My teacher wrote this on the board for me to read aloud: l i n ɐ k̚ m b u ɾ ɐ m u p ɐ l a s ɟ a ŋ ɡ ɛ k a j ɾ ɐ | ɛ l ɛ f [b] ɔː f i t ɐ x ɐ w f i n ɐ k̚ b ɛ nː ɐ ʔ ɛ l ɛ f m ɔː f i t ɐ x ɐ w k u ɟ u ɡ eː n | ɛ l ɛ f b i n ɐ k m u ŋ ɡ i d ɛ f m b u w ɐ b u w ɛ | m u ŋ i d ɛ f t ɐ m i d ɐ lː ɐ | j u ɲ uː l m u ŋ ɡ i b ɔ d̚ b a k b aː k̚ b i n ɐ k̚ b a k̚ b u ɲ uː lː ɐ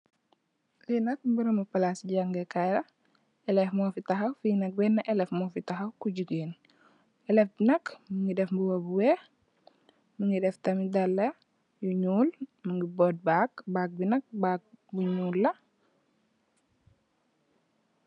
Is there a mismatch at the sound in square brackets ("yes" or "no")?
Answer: yes